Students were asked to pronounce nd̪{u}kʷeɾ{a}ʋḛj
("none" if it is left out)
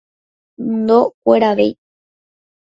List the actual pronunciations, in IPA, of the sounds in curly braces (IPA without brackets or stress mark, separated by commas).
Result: o, a